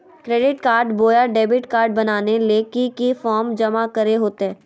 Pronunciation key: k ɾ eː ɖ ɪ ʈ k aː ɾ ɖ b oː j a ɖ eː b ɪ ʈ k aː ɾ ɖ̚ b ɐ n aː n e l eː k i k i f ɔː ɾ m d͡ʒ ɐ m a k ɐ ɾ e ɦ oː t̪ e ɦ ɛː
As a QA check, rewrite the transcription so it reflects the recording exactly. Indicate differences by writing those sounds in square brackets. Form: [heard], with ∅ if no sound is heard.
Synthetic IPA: k ɾ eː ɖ ɪ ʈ k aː ɾ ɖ b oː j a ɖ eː b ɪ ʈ k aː ɾ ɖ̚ b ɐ n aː n e l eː k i k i f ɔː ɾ m d͡ʒ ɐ m a k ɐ ɾ e ɦ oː t̪ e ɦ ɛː